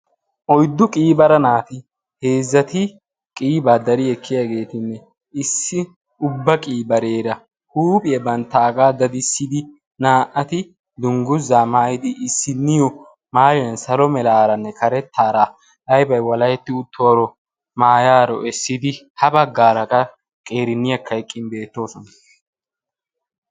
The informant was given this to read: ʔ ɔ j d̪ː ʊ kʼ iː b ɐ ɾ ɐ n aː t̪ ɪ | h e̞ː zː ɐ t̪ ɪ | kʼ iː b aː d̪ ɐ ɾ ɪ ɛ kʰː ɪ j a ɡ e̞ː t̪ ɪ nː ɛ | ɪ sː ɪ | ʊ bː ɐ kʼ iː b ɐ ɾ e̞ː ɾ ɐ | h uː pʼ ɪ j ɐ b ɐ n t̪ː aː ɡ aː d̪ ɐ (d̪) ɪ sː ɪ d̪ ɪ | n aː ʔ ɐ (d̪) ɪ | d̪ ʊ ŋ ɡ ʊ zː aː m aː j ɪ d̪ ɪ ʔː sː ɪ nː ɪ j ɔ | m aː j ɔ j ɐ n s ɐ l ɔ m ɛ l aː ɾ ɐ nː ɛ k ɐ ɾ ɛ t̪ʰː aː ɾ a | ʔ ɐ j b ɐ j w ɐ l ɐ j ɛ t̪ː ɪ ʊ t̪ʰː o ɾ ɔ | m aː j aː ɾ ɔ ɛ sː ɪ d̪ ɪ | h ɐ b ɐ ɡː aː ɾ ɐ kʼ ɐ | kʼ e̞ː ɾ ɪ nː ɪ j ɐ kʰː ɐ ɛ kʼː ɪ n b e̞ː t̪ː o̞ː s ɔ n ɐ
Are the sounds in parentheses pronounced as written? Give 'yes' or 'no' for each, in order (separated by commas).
yes, no